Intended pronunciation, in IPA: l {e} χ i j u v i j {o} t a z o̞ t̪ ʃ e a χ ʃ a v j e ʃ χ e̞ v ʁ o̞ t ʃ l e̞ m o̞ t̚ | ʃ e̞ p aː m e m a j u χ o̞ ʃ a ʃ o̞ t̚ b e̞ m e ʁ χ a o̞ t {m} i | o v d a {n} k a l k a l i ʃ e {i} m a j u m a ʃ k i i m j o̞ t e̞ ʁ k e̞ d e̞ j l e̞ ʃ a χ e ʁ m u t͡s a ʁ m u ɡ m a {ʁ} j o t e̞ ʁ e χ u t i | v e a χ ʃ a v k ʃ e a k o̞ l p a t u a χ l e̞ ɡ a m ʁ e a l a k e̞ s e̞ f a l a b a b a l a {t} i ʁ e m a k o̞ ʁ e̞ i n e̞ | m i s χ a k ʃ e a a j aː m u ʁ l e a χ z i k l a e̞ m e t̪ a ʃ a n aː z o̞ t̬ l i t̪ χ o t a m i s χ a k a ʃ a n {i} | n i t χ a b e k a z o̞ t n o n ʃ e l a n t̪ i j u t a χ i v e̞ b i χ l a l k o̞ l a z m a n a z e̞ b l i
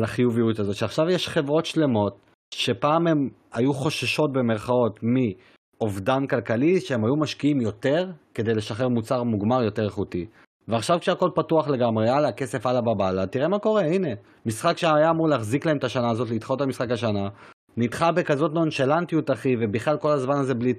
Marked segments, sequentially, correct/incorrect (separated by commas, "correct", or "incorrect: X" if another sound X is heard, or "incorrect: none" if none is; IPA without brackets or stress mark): incorrect: a, incorrect: u, correct, correct, incorrect: e, correct, correct, incorrect: a